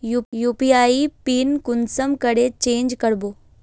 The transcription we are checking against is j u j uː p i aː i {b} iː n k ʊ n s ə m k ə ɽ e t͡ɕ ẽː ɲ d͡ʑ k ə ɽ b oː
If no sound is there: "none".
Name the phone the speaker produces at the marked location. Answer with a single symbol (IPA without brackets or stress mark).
p